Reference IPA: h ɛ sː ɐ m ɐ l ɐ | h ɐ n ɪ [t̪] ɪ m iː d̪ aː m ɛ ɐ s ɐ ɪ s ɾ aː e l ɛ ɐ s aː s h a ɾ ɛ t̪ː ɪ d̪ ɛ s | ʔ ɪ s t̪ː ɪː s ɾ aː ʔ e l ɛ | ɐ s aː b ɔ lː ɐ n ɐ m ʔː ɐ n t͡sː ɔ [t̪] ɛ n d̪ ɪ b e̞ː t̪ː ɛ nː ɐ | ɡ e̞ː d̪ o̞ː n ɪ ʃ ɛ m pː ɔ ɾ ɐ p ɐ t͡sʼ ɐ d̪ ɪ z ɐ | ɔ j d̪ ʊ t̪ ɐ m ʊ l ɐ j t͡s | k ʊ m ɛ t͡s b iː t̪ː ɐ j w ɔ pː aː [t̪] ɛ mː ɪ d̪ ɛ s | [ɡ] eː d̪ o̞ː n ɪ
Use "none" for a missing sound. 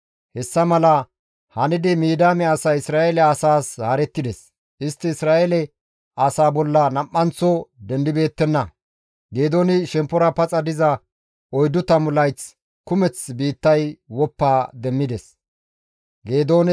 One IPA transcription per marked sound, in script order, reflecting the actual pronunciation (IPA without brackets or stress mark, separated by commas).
d̪, d̪, d̪, ɡ